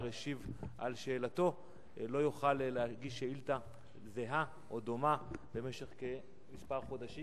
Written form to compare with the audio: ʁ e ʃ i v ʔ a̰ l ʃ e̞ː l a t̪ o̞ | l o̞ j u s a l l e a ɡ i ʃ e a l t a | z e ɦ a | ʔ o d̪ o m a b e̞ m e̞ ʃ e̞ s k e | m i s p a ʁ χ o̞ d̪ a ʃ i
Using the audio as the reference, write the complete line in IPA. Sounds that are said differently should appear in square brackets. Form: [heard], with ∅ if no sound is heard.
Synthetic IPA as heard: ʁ e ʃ i v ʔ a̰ l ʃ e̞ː l a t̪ o̞ | l o̞ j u [χ] a l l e a ɡ i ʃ e [i] l t a | z e ɦ a | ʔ o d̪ o m a b e̞ m e̞ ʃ e̞ [χ] k e | m i s p a ʁ χ o̞ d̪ a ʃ i